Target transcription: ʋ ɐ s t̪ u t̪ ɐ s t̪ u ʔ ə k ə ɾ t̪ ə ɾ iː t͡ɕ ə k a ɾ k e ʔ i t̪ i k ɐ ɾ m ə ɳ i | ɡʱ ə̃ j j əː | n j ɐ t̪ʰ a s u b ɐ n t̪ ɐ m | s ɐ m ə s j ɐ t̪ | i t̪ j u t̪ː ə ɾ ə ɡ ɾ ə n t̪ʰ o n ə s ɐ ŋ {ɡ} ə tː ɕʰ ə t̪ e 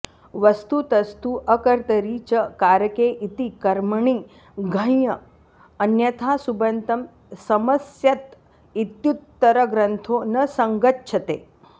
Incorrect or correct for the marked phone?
correct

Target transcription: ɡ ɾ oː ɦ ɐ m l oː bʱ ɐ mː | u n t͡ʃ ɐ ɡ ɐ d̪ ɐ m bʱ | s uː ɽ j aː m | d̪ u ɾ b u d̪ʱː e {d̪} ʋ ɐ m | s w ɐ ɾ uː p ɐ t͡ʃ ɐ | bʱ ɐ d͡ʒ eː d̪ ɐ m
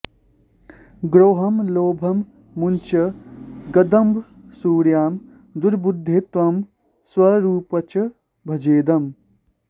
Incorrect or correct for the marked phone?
incorrect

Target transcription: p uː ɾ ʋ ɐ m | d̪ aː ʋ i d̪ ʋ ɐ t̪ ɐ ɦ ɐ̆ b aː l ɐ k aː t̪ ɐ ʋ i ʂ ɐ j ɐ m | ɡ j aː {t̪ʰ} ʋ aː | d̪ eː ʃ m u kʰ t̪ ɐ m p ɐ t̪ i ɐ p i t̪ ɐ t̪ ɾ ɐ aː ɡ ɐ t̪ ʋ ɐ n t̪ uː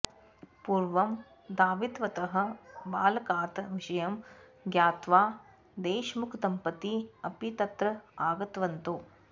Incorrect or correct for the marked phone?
incorrect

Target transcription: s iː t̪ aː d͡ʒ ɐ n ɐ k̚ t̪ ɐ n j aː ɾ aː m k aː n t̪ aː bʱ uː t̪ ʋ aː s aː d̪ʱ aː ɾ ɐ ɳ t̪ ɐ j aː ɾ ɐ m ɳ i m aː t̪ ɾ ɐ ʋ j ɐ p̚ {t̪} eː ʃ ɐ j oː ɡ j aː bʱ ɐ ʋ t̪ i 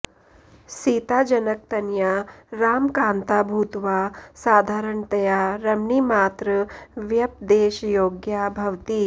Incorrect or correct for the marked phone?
incorrect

